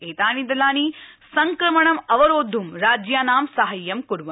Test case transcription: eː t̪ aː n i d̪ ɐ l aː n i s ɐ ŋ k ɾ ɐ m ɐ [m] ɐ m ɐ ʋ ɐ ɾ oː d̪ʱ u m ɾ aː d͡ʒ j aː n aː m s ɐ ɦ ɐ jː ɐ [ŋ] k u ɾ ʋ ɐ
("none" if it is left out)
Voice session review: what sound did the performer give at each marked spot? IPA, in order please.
ɳ, m

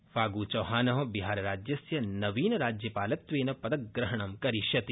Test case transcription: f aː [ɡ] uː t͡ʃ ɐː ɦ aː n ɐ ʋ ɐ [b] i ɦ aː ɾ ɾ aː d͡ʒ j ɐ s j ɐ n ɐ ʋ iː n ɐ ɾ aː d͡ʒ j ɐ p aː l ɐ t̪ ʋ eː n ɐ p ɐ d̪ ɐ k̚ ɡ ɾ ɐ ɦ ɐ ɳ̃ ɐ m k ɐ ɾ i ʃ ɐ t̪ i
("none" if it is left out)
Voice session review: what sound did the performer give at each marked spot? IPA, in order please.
ɡ, b

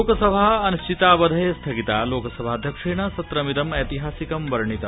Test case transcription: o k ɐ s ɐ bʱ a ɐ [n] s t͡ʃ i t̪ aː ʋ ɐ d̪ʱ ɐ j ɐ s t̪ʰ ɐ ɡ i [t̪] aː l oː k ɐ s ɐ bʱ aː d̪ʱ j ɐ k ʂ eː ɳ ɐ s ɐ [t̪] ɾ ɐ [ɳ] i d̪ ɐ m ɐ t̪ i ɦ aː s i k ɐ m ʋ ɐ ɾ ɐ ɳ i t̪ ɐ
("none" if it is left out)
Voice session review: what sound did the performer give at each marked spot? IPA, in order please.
n, t̪, t̪, m

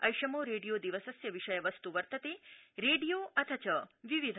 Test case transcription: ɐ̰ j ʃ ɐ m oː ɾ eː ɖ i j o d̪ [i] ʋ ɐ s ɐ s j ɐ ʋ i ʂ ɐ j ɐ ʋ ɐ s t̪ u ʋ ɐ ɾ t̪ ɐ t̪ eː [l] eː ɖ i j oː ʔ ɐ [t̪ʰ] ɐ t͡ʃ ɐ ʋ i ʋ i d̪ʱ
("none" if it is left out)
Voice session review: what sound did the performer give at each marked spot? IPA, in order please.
i, ɾ, t̪ʰ

